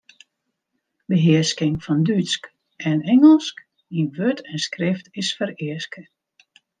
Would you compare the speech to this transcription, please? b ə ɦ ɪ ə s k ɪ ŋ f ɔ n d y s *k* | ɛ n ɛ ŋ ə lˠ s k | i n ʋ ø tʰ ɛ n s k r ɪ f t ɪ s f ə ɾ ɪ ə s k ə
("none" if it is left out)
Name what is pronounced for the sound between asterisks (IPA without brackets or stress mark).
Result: k